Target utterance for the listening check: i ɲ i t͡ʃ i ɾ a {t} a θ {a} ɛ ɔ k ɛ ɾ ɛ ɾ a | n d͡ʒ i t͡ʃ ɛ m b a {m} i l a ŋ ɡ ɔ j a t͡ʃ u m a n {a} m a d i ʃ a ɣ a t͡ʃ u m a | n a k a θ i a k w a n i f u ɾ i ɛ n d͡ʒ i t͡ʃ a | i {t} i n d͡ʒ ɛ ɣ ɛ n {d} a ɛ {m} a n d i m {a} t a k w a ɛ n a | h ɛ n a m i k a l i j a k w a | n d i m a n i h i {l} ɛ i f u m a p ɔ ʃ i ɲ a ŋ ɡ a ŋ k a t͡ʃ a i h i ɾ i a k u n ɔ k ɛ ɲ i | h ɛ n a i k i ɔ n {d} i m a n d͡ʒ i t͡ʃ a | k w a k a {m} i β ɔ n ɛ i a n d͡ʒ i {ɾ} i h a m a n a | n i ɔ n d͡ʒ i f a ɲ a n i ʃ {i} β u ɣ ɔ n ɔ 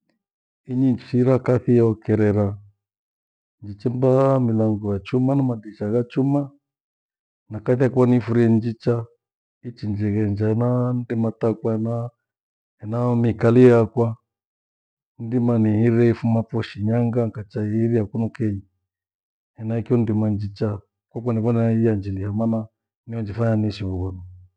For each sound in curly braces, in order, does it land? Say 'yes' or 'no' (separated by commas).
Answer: no, no, yes, yes, no, no, no, yes, no, yes, no, no, yes